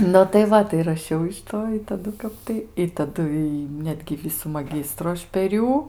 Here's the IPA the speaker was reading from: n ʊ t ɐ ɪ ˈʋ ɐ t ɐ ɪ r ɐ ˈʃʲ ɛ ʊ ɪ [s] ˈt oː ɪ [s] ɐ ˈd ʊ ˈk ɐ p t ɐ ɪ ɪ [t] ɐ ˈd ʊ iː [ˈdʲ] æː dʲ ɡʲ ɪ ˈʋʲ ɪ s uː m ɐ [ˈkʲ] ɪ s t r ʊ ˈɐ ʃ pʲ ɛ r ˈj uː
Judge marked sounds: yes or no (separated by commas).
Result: no, no, yes, no, no